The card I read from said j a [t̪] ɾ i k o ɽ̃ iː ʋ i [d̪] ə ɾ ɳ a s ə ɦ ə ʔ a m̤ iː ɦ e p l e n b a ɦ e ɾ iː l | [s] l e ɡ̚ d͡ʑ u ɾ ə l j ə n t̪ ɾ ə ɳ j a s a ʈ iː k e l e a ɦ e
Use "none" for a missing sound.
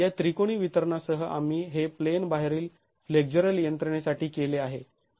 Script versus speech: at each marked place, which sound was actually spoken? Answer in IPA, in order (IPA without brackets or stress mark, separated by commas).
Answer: t̪, t̪, f